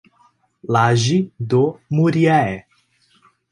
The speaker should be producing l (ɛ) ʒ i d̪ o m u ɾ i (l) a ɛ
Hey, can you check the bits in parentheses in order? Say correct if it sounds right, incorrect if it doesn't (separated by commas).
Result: incorrect, incorrect